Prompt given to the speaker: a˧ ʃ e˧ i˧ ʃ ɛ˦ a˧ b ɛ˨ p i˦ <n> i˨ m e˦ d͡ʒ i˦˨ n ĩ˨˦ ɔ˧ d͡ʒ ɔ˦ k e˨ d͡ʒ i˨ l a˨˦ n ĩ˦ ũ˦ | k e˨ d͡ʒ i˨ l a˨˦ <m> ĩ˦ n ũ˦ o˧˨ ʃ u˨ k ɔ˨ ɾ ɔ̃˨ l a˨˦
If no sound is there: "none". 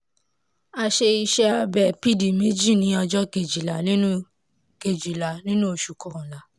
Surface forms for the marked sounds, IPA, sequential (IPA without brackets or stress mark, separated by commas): d, n